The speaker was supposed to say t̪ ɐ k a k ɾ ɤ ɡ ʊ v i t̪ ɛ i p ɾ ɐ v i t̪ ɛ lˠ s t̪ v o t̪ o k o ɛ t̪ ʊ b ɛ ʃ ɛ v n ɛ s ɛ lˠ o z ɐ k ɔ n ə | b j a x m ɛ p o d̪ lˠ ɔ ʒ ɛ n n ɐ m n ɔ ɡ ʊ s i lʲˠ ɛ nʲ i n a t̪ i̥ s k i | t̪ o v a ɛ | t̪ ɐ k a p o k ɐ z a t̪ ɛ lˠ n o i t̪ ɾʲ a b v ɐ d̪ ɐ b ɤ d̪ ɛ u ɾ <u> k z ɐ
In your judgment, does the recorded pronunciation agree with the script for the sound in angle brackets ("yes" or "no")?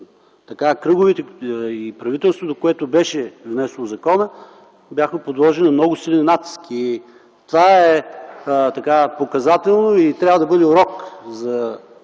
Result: no